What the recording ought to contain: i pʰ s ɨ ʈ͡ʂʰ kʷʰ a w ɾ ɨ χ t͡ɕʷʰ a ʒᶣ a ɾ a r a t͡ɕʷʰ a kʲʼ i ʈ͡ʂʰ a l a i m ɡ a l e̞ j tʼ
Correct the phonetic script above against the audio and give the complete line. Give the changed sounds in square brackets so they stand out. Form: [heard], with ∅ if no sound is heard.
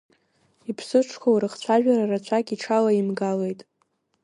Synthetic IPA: i pʰ s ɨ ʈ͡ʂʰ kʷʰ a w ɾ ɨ χ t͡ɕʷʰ a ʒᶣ a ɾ a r a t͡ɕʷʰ a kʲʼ i ʈ͡ʂʰ a l a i m ɡ a l e̞ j tʼ